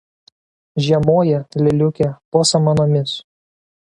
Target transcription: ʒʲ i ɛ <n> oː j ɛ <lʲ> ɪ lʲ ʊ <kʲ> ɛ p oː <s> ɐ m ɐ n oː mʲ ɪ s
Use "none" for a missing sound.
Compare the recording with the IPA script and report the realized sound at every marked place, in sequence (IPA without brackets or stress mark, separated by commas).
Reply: m, lʲ, kʲ, s